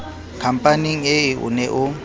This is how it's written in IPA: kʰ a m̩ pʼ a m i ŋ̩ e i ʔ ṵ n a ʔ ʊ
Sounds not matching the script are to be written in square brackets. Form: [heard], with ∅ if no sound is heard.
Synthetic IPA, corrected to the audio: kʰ a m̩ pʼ a [n] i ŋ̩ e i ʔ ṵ n [ɛ] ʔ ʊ